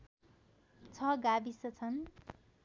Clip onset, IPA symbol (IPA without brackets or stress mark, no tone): t͡sʰ